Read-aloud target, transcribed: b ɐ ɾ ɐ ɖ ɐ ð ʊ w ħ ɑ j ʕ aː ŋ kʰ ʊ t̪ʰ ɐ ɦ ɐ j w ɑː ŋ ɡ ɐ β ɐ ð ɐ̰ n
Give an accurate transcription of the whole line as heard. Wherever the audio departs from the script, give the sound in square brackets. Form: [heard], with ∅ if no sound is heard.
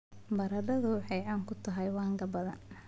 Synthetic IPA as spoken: b ɐ ɾ ɐ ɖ ɐ ð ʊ w ħ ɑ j ʕ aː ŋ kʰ ʊ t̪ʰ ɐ ɦ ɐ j w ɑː ŋ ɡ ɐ [b] ɐ ð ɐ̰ n